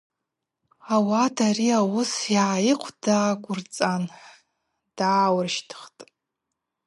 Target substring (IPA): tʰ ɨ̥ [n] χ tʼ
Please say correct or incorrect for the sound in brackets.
incorrect